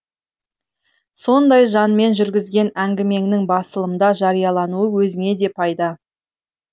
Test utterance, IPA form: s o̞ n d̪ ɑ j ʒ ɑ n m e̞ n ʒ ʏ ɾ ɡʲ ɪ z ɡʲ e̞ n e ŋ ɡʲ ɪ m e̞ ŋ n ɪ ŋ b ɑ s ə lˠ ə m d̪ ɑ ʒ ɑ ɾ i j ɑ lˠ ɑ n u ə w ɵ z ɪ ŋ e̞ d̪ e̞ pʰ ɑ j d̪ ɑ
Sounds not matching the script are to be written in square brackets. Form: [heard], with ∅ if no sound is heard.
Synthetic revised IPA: s o̞ n d̪ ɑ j ʒ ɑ n m e̞ n ʒ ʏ ɾ ɡʲ ɪ z ɡʲ e̞ n [æ] ŋ ɡʲ ɪ m e̞ ŋ n ɪ ŋ b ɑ s ə lˠ ə m d̪ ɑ ʒ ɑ ɾ i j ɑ lˠ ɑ n u ə w ɵ z ɪ ŋ e̞ d̪ e̞ pʰ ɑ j d̪ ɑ

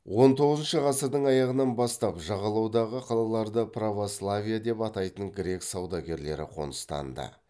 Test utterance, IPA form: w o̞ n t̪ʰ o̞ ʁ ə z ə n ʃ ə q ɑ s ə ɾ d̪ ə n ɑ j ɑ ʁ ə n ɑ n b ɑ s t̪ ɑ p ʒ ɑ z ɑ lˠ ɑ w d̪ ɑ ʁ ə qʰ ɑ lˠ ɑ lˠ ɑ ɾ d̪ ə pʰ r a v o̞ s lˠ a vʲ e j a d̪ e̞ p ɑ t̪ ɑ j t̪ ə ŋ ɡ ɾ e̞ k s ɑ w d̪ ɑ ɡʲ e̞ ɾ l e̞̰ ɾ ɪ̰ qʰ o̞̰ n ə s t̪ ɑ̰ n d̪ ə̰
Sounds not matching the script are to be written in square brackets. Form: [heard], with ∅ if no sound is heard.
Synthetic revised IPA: w o̞ n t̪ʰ o̞ ʁ ə z ə n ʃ ə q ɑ s ə ɾ d̪ ə [ɴ] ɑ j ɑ ʁ ə n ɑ n b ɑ s t̪ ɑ p ʒ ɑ [ʁ] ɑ lˠ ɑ w d̪ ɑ ʁ ə qʰ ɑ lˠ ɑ lˠ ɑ ɾ d̪ ə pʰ r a v o̞ s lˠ a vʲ [i] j a d̪ e̞ p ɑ t̪ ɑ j t̪ ə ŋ ɡ ɾ e̞ k s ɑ w d̪ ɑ ɡʲ e̞ ɾ l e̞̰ ɾ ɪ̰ qʰ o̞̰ n ə s t̪ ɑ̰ n d̪ ə̰

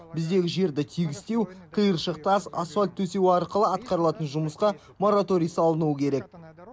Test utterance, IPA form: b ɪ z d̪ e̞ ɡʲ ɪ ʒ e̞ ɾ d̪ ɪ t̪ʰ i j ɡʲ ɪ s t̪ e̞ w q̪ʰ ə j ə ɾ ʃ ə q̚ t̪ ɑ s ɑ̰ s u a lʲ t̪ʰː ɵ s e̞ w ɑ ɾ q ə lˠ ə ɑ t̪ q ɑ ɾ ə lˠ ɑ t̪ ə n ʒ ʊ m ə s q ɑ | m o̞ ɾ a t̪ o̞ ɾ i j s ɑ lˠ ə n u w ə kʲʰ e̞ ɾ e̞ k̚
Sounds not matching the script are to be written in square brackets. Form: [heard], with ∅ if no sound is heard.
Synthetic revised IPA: b ɪ z d̪ e̞ ɡʲ ɪ ʒ e̞ ɾ d̪ ɪ t̪ʰ i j ɡʲ ɪ s t̪ e̞ w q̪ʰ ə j ə ɾ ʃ ə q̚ t̪ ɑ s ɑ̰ s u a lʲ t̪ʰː ɵ s e̞ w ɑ ɾ q ə lˠ ə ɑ t̪ q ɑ ɾ ə lˠ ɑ t̪ ə n ʒ ʊ m ə s q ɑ | m o̞ ɾ a t̪ o̞ ɾ i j s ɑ lˠ ə n u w ə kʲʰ e̞ ɾ e̞ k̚

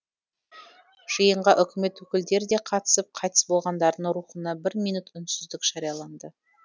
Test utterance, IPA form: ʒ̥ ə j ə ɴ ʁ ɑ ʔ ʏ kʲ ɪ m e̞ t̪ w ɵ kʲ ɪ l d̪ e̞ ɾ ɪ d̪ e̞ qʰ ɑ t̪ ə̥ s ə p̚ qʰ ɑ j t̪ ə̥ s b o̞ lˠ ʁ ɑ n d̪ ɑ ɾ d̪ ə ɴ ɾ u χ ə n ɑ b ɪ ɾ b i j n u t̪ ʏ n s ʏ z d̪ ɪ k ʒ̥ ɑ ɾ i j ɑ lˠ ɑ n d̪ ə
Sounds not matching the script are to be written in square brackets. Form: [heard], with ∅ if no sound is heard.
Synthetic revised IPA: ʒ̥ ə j ə ɴ ʁ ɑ ʔ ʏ kʲ ɪ m e̞ t̪ w ɵ kʲ ɪ l d̪ e̞ ɾ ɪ d̪ e̞ qʰ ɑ t̪ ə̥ s ə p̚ qʰ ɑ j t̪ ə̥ s b o̞ lˠ ʁ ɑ n d̪ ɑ ɾ d̪ ə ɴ ɾ u χ ə n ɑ b ɪ ɾ [m] i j n u t̪ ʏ n s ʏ z d̪ ɪ k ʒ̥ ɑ ɾ i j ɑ lˠ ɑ n d̪ ə

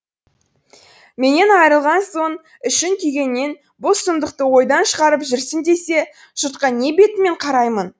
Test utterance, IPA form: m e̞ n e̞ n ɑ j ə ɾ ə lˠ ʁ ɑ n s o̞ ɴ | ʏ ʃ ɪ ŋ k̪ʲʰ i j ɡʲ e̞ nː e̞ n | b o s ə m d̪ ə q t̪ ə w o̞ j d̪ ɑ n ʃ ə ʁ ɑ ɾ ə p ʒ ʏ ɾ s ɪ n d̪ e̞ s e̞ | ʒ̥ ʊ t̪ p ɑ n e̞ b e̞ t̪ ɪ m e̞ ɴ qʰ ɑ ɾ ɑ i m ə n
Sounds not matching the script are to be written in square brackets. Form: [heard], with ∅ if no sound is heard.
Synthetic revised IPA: m e̞ n e̞ n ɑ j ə ɾ ə lˠ ʁ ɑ n s o̞ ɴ | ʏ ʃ ɪ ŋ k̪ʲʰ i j ɡʲ e̞ nː e̞ n | b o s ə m d̪ ə q t̪ ə w o̞ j d̪ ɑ n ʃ ə ʁ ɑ ɾ ə p ʒ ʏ ɾ s ɪ n d̪ e̞ s e̞ | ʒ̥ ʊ t̪ [q] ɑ n e̞ b e̞ t̪ ɪ m e̞ ɴ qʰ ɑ ɾ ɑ [j] m ə n

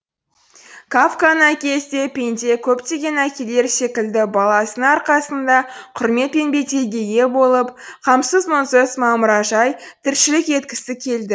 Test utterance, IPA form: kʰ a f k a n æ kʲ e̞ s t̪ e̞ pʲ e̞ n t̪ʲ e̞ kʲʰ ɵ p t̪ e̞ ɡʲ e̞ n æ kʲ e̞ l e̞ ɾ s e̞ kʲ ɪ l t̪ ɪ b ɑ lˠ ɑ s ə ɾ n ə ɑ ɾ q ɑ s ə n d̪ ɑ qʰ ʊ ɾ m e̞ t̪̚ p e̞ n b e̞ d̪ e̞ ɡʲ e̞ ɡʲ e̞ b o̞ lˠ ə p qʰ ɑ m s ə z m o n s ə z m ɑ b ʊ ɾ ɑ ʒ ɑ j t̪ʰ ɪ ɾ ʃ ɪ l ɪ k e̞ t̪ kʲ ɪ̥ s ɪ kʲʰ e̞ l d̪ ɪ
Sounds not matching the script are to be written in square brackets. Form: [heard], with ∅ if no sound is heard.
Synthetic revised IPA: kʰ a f k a n æ kʲ e̞ s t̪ e̞ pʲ e̞ n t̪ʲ e̞ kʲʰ ɵ p t̪ e̞ ɡʲ e̞ n æ kʲ e̞ l e̞ ɾ s e̞ kʲ ɪ l [d̪] ɪ b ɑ lˠ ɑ s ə [∅] n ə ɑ ɾ q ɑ s ə n d̪ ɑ qʰ ʊ ɾ m e̞ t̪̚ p e̞ n b e̞ [t̪] e̞ ɡʲ e̞ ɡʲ e̞ b o̞ lˠ ə p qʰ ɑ m s ə z m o n s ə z m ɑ [m] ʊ ɾ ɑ ʒ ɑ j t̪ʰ ɪ ɾ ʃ ɪ l ɪ k e̞ t̪ kʲ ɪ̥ s ɪ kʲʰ e̞ l d̪ ɪ

